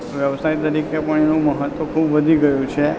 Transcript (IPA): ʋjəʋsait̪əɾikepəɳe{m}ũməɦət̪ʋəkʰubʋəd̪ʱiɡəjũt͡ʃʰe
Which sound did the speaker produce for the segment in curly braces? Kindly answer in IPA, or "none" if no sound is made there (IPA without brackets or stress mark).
n